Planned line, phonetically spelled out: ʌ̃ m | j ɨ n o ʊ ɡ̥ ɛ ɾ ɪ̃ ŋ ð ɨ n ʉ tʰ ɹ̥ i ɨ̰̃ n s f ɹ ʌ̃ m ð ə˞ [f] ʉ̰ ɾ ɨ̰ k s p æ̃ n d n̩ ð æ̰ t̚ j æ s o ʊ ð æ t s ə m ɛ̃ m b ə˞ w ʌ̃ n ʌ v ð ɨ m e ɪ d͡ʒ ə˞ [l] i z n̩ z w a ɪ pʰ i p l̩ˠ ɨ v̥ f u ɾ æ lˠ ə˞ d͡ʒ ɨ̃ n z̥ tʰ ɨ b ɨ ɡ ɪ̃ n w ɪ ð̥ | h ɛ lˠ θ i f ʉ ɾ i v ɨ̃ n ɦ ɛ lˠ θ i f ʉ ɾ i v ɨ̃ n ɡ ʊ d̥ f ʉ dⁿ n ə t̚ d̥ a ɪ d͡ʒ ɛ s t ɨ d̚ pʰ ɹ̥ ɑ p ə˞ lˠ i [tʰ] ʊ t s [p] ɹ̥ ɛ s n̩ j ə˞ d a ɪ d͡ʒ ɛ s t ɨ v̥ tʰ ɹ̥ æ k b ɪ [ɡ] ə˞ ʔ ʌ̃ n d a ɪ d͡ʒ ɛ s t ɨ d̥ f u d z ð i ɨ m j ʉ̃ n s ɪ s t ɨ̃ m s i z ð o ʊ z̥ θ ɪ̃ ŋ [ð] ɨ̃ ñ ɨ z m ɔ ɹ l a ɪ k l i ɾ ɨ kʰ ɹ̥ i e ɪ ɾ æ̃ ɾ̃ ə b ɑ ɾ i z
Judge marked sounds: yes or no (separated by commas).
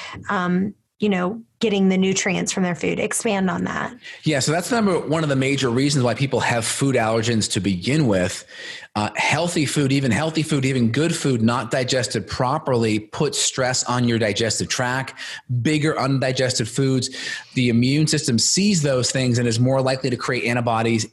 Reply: yes, no, no, no, yes, no